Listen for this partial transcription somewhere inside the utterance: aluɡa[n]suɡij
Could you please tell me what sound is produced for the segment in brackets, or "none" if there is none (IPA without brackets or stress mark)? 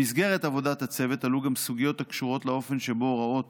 m